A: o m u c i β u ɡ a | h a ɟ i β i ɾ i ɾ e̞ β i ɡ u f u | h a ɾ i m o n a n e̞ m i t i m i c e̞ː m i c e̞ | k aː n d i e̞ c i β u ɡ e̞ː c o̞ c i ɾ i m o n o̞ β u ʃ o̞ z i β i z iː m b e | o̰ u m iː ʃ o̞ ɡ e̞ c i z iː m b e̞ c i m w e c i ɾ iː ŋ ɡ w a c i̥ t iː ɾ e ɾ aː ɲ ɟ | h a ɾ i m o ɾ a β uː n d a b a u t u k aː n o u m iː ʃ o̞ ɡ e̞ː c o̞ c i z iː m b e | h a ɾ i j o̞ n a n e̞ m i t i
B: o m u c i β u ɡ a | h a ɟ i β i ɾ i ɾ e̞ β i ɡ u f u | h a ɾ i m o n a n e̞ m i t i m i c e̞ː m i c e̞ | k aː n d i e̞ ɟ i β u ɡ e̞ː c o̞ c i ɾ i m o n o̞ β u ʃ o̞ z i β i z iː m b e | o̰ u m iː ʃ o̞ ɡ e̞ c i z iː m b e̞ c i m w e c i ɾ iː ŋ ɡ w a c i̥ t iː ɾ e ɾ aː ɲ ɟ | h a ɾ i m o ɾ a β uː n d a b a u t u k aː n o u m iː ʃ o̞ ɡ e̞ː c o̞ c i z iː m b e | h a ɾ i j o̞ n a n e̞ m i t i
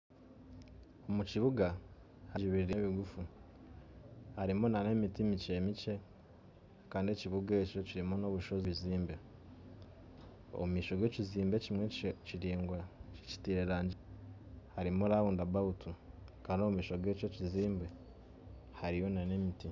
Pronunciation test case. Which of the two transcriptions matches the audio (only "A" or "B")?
A